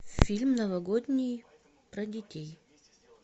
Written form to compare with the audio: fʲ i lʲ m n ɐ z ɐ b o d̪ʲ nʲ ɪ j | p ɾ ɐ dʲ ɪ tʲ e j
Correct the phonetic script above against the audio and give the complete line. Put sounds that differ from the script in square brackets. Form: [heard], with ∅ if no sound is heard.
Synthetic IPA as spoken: fʲ i lʲ m n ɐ [v] ɐ [ɡ] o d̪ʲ nʲ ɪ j | p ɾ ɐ dʲ ɪ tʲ e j